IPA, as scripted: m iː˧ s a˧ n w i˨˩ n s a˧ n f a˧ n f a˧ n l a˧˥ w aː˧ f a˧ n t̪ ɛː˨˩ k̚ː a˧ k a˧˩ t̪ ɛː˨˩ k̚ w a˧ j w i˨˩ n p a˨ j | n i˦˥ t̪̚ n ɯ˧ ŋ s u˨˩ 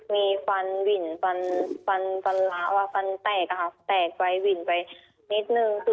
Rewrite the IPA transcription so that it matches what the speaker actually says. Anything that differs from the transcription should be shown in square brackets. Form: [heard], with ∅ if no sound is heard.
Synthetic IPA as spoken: m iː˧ [f] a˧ n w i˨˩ n [f] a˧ n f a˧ n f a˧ n l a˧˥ w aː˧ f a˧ n t̪ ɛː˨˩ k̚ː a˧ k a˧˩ t̪ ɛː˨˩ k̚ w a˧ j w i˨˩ n p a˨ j | n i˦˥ t̪̚ n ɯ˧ ŋ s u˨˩